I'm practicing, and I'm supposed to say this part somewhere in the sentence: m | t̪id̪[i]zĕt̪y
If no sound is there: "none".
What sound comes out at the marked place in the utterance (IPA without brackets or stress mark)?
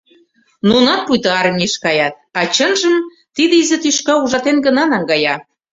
i